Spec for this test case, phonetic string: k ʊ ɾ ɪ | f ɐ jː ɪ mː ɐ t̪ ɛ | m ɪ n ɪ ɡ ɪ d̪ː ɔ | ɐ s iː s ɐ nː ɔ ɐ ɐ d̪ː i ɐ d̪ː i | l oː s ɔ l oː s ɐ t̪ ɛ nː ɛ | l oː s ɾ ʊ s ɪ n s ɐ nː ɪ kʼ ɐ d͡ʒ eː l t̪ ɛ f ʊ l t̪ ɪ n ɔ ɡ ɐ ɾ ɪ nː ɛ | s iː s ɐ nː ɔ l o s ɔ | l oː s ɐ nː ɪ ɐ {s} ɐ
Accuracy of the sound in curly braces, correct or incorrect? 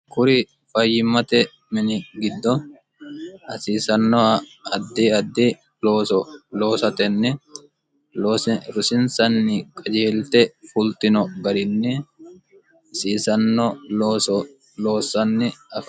incorrect